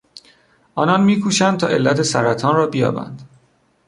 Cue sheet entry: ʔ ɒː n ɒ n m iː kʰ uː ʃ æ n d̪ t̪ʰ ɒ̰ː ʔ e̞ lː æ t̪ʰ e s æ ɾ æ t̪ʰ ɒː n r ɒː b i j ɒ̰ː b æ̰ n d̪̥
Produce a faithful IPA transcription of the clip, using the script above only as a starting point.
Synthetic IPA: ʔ ɒː n ɒ n m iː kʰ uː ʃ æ n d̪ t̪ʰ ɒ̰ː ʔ e̞ lː æ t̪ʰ e s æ ɾ æ t̪ʰ ɒː n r ɒː b i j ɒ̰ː b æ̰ n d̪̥